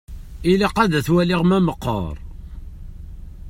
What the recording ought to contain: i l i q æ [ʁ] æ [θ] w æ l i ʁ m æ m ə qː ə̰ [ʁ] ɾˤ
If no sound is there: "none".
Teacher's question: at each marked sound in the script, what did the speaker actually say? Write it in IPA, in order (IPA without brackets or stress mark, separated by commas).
ð, θ, none